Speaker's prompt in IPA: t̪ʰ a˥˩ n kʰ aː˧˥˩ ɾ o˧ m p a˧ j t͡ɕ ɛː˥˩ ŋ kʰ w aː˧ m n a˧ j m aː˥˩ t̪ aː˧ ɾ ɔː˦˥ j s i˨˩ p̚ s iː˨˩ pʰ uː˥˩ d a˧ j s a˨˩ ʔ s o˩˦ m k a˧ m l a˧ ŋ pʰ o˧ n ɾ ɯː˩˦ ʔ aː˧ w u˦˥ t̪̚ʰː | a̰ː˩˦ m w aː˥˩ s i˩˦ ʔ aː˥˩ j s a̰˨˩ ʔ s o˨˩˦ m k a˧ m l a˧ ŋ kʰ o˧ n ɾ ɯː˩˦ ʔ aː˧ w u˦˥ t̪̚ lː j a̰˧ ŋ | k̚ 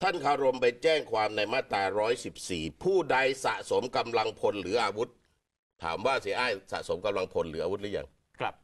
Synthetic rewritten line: t̪ʰ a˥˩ n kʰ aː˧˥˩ ɾ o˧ m p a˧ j t͡ɕ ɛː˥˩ ŋ kʰ w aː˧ m n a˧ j m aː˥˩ t̪ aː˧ ɾ ɔː˦˥ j s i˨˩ p̚ s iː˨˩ pʰ uː˥˩ d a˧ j s a˨˩ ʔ s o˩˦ m k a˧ m l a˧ ŋ pʰ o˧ n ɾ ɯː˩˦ ʔ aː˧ w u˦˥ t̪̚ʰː | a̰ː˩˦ m w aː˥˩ s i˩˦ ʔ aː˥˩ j s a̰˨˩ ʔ s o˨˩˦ m k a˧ m l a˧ ŋ pʰ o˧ n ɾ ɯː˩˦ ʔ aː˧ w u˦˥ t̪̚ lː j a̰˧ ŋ | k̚